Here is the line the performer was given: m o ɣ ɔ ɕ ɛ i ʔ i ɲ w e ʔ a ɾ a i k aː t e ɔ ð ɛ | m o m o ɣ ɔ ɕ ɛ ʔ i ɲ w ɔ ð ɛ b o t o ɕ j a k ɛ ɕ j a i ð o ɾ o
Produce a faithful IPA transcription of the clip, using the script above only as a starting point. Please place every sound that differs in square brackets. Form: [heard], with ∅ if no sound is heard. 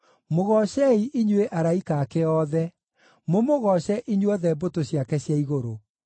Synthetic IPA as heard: m o ɣ ɔ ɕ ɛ i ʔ i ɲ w e ʔ a ɾ a i k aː [k] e ɔ ð ɛ | m o m o ɣ ɔ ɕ ɛ ʔ i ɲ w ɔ ð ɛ b o t o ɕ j a k ɛ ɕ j a i [ɣ] o ɾ o